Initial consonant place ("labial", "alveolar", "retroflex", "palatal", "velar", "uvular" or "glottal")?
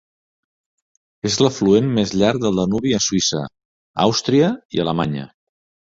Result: alveolar